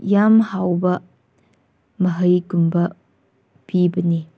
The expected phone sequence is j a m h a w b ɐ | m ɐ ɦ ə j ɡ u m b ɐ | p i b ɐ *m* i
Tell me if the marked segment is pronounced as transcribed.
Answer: no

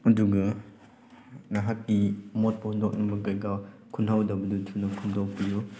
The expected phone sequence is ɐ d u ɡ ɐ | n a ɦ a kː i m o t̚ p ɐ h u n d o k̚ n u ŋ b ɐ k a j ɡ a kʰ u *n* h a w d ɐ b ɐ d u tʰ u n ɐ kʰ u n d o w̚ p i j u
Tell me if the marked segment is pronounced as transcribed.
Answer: yes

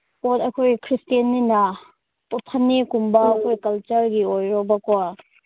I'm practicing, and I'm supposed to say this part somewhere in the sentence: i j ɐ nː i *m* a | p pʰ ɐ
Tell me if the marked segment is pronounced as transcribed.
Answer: no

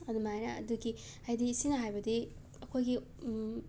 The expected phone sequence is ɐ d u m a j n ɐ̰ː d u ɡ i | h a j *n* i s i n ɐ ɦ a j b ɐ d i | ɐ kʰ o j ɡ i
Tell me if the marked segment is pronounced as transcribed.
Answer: no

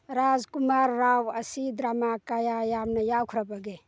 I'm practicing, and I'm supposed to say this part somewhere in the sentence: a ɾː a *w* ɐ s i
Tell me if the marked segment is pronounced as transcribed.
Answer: yes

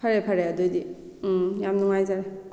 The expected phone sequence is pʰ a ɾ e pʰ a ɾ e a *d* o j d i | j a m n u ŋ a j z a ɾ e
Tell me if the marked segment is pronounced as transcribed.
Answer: yes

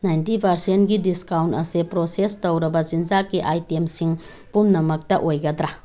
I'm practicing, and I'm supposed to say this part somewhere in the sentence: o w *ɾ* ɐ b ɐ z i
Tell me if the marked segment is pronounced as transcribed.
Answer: yes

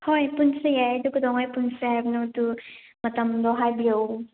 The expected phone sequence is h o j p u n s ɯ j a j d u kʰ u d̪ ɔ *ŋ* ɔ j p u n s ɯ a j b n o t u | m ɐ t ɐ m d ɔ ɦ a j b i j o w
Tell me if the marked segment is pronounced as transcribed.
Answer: yes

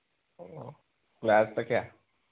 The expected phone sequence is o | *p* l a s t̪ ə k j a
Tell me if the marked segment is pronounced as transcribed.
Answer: no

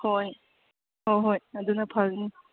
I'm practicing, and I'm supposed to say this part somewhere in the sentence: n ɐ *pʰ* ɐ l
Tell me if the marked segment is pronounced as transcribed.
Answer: yes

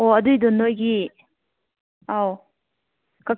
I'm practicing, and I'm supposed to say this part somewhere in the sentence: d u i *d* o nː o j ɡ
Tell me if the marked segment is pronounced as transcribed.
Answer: yes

